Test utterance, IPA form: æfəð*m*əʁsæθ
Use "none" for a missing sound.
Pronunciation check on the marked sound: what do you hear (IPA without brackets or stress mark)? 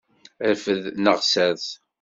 n